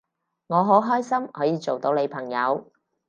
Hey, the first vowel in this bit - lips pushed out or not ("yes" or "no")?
yes